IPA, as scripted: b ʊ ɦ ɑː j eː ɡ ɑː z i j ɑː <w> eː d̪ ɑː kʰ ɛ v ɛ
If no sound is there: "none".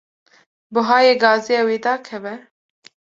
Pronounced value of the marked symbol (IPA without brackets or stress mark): w